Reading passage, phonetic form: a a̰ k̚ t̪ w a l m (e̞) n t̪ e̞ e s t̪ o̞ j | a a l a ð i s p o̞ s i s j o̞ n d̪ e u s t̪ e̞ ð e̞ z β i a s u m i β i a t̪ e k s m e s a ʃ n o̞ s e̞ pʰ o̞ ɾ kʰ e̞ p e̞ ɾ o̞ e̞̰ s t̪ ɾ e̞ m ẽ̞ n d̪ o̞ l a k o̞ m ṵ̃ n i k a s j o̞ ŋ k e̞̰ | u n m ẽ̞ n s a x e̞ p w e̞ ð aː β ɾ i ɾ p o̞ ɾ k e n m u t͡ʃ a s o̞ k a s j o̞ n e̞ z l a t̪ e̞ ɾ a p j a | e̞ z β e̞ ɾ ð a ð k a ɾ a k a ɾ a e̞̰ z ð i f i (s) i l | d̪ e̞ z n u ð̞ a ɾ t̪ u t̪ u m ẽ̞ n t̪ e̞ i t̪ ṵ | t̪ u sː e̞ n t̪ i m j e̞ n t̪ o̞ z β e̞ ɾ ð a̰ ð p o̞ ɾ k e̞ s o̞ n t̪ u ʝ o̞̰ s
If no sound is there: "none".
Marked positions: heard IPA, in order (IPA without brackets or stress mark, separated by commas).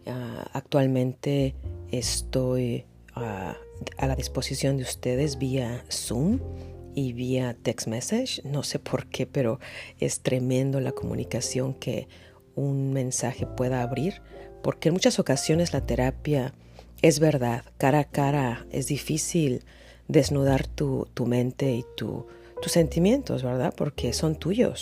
ẽ̞, s